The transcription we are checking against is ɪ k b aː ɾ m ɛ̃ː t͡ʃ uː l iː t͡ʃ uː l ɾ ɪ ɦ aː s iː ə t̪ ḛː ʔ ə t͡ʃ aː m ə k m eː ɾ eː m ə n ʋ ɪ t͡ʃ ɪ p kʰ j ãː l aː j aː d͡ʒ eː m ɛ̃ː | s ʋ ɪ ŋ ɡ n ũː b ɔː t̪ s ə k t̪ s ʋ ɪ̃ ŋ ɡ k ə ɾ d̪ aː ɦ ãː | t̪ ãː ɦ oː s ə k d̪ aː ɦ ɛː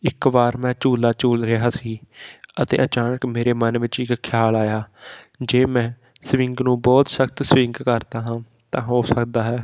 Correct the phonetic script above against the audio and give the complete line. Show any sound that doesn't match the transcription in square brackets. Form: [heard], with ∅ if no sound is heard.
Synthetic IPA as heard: ɪ k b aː ɾ m ɛ̃ː t͡ʃ uː l [aː] t͡ʃ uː l ɾ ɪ ɦ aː s iː ə t̪ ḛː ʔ ə t͡ʃ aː [n] ə k m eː ɾ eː m ə n ʋ ɪ t͡ʃ ɪ [k] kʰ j [aː] l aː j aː d͡ʒ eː m ɛ̃ː | s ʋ ɪ ŋ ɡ n ũː b ɔː t̪ s ə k t̪ s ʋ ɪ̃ ŋ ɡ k ə ɾ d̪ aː ɦ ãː | t̪ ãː ɦ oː s ə k d̪ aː ɦ ɛː